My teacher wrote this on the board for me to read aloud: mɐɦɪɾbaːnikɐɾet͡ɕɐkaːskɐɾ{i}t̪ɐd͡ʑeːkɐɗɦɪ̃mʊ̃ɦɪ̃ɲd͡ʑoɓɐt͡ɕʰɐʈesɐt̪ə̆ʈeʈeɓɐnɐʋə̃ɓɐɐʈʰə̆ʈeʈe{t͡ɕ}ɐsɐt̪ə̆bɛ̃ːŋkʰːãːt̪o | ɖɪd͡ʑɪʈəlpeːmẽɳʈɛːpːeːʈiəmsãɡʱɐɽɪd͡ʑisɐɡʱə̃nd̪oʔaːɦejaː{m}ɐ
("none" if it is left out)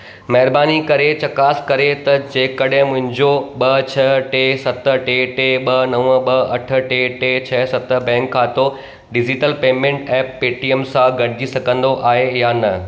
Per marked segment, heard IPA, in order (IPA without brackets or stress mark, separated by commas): e, t͡ɕʰ, n